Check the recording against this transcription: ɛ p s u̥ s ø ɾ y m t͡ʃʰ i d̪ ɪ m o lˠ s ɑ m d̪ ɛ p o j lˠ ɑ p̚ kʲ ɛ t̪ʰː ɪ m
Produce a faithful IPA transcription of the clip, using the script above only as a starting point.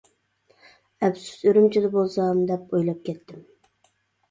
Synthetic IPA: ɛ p s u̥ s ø ɾ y m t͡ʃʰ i d̪ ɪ b o lˠ s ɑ m d̪ ɛ p o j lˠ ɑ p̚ kʲ ɛ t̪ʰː ɪ m